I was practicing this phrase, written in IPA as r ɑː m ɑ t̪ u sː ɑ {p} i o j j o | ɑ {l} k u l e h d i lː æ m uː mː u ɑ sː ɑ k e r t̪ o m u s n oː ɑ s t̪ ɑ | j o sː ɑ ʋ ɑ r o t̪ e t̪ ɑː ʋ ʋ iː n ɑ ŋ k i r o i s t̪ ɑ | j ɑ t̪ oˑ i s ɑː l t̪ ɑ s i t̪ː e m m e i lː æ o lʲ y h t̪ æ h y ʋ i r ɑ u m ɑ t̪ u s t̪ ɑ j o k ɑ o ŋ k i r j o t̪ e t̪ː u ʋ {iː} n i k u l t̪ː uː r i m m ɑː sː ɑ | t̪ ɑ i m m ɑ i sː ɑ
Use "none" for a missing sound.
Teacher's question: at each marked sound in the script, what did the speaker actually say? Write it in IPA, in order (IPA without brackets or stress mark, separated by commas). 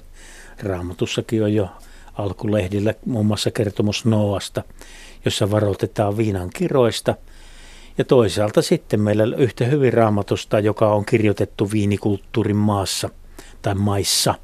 k, l, iː